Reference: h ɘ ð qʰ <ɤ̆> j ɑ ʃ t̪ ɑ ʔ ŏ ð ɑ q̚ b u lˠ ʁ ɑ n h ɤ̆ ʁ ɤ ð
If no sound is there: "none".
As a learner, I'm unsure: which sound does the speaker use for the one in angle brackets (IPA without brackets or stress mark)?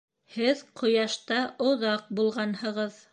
ŏ